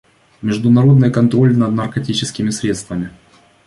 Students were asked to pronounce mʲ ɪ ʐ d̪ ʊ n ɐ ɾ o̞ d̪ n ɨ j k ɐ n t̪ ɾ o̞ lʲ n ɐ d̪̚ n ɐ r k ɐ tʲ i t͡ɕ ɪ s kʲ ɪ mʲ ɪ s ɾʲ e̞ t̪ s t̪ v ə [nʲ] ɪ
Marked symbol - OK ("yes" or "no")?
no